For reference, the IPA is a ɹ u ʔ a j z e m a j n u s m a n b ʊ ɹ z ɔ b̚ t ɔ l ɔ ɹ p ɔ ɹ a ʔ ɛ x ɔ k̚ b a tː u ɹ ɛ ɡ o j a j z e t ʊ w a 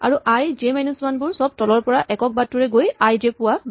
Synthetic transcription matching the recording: a ɹ u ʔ a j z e m a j n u s m a n b ʊ ɹ s ɔ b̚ t ɔ l ɔ ɹ p ɔ ɹ a ʔ ɛ k ɔ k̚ b a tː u ɹ ɛ ɡ o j a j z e p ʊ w a